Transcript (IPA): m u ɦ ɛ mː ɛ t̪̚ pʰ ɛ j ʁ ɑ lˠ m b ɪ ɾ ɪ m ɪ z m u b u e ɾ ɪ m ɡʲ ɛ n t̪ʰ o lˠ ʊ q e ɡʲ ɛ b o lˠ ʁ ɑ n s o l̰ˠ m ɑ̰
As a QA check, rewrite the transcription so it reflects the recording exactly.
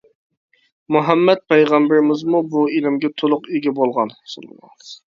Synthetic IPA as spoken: m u ɦ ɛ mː ɛ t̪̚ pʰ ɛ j ʁ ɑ m b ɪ ɾ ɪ m ɪ z m u b u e l ɪ m ɡʲ ɛ t̪ʰ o lˠ ʊ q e ɡʲ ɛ b o lˠ ʁ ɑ n s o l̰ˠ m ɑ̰